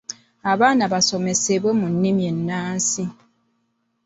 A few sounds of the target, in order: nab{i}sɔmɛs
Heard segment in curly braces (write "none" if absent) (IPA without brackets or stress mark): a